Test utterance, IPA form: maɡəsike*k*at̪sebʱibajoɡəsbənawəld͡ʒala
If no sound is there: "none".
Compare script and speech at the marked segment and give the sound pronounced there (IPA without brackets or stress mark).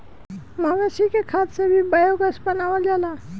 kʰ